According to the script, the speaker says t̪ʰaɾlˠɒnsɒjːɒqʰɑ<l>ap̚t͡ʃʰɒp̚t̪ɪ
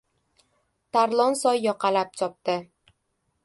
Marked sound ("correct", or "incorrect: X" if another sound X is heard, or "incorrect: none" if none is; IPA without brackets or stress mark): correct